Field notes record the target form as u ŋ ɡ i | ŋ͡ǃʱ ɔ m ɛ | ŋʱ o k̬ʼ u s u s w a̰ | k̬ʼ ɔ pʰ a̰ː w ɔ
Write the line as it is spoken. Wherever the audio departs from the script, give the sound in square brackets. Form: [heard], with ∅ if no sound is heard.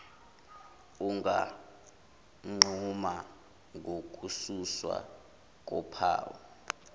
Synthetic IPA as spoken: u ŋ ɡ [a] | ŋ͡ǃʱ [u] m [a] | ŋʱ o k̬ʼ u s u s w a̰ | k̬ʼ ɔ pʰ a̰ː w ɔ